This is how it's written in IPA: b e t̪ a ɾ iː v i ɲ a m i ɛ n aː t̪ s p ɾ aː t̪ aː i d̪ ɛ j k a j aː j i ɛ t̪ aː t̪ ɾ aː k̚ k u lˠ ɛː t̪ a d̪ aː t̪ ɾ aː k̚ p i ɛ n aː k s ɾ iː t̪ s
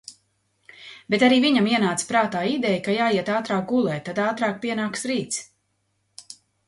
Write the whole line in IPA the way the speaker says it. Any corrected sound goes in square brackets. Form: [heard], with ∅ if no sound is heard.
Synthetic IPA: b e t̪ a ɾ iː v i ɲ a m i ɛ n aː t̪ s p ɾ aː t̪ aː i d̪ ɛ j k a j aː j i ɛ t̪ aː t̪ ɾ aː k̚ [ɡ] u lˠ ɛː t̪ a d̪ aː t̪ ɾ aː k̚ p i ɛ n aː k s ɾ iː t̪ s